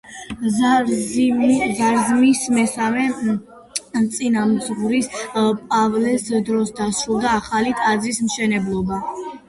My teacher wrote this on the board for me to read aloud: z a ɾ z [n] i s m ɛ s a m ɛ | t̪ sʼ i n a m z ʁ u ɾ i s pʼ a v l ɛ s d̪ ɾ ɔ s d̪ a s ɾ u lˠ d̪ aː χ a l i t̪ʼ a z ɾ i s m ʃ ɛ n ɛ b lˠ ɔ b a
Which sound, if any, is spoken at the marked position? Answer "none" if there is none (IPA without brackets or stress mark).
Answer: m